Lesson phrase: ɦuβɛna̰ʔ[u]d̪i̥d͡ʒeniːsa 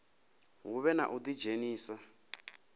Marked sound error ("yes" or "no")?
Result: no